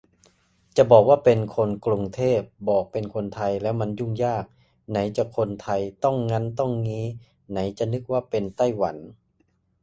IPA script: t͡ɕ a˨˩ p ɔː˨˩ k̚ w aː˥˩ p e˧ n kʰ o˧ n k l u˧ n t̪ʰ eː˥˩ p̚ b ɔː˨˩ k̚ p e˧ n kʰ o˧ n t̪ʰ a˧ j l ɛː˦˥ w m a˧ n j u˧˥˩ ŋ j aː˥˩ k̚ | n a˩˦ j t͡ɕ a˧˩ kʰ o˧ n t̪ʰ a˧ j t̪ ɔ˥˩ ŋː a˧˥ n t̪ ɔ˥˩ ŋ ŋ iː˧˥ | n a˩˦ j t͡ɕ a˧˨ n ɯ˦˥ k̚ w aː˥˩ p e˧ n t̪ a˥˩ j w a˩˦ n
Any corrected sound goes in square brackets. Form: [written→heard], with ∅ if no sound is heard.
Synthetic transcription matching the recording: t͡ɕ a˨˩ [p→b] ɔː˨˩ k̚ w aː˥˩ p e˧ n kʰ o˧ n k l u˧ [n→ŋ] t̪ʰ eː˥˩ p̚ b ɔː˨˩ k̚ p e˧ n kʰ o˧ n t̪ʰ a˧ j l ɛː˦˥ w m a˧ n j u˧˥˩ ŋ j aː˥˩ k̚ | n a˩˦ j t͡ɕ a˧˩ kʰ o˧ n t̪ʰ a˧ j t̪ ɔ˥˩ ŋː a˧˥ n t̪ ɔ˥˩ ŋ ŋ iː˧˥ | n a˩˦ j t͡ɕ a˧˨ n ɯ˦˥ k̚ w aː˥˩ p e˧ n t̪ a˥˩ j w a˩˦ n